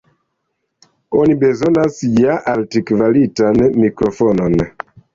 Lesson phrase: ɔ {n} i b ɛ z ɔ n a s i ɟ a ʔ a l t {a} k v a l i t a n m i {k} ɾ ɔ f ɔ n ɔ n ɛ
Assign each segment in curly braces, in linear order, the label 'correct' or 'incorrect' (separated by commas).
correct, incorrect, correct